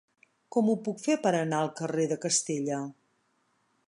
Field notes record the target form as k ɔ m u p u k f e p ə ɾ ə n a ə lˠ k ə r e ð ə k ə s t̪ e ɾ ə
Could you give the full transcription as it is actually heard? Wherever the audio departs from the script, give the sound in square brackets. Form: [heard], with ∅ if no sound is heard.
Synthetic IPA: k ɔ m u p u k f e p ə ɾ ə n a ə lˠ k ə r e ð ə k ə s t̪ e [ʎ] ə